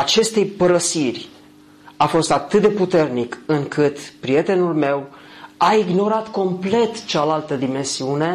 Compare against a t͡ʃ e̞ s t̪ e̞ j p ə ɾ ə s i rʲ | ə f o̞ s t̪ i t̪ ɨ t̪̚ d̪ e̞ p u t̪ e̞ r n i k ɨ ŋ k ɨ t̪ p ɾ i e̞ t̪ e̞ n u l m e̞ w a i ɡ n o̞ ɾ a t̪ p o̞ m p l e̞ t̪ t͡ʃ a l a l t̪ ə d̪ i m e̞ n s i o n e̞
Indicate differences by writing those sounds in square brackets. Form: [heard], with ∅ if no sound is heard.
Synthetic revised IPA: a t͡ʃ e̞ s t̪ e̞ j p ə ɾ ə s i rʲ | [a] f o̞ s t̪ [a] t̪ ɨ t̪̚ d̪ e̞ p u t̪ e̞ r n i k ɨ ŋ k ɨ t̪ p ɾ i e̞ t̪ e̞ n u l m e̞ w a i ɡ n o̞ ɾ a t̪ [k] o̞ m p l e̞ t̪ t͡ʃ a l a l t̪ ə d̪ i m e̞ n s i [u] n e̞